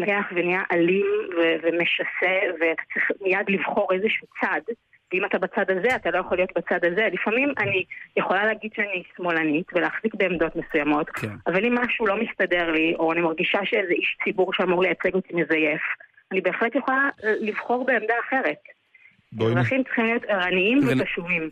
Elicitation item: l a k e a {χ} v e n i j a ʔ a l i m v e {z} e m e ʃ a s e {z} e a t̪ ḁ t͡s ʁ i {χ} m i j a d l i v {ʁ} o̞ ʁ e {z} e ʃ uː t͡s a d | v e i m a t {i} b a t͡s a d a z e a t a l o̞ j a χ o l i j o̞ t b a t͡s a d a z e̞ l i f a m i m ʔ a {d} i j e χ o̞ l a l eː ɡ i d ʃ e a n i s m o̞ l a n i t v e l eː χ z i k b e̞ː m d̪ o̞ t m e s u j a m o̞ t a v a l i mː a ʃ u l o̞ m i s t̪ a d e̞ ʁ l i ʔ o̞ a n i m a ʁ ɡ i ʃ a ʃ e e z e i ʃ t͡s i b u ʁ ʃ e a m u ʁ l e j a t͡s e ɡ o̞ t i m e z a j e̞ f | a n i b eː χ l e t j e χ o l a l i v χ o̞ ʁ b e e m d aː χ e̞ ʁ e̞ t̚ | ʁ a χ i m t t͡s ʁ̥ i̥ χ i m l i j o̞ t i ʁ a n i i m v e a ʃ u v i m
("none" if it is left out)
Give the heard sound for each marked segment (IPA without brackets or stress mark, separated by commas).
χ, v, v, χ, χ, z, a, n